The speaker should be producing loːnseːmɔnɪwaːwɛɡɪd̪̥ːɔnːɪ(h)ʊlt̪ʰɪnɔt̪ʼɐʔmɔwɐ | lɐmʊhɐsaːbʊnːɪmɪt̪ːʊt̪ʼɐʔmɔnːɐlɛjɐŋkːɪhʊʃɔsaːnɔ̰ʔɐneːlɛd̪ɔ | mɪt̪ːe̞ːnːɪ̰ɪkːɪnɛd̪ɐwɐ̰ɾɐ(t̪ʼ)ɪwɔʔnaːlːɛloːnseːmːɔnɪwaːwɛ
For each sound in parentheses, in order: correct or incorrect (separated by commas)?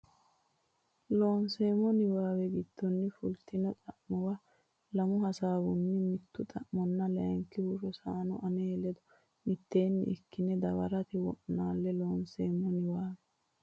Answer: incorrect, incorrect